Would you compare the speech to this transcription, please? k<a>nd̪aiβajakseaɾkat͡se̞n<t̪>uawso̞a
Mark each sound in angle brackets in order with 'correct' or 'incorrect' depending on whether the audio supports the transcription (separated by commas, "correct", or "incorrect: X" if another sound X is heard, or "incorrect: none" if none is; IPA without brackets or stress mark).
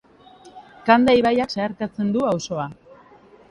correct, incorrect: d̪